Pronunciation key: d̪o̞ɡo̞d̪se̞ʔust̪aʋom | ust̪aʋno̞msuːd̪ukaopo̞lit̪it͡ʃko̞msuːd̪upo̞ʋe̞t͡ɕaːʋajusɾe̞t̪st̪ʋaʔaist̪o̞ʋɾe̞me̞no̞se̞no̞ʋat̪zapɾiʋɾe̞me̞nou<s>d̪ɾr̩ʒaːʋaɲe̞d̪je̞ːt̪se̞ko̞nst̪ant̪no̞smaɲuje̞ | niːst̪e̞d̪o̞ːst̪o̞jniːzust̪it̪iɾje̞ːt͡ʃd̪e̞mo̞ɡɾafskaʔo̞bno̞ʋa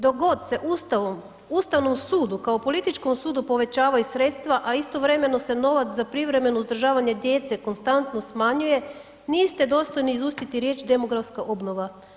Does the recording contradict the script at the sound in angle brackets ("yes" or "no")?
yes